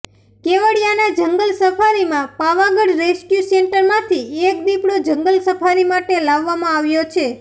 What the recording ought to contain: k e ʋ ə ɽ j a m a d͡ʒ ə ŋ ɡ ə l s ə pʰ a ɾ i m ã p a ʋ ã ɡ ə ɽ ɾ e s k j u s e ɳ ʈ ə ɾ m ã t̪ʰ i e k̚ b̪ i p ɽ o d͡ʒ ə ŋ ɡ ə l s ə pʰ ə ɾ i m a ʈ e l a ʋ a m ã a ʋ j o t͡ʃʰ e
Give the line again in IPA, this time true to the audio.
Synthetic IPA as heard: k e ʋ ə ɽ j a n a d͡ʒ ə ŋ ɡ ə l s ə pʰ a ɾ i m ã p a ʋ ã ɡ ə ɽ ɾ e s k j u s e ɳ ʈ ə ɾ m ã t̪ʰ i e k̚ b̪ i p ɽ o d͡ʒ ə ŋ ɡ ə l s ə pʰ a ɾ i m a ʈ e l a ʋː a m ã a ʋ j o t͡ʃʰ e